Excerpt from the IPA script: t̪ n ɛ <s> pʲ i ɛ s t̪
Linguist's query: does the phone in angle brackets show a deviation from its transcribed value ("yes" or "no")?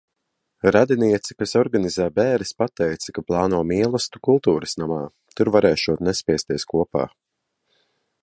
no